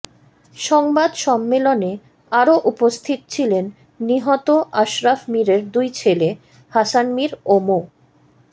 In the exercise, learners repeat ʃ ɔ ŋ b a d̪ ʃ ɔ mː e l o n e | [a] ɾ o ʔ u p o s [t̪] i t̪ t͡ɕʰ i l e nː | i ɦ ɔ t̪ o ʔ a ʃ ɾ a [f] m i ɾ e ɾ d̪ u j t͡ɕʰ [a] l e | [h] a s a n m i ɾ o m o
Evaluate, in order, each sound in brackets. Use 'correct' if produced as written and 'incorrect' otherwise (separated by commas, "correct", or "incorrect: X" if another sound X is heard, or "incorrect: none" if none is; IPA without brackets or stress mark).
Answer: correct, incorrect: t̪ʰ, correct, incorrect: e, correct